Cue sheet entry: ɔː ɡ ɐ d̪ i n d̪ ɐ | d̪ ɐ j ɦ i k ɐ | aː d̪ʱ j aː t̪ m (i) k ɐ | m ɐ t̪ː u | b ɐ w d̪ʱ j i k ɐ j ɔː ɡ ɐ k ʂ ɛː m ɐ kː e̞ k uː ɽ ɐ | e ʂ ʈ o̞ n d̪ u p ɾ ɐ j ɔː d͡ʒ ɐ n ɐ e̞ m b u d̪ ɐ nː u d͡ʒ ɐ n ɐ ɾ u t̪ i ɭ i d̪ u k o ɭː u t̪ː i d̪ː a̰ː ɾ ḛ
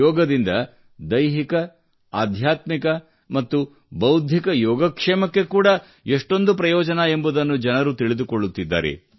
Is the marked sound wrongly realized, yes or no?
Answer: no